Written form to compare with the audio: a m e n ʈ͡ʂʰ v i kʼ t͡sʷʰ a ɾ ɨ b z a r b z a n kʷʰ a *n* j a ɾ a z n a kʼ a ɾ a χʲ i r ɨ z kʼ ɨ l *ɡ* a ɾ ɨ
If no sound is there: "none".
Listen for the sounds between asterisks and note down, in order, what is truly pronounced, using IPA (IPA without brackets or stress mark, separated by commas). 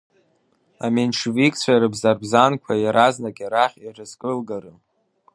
none, ɡ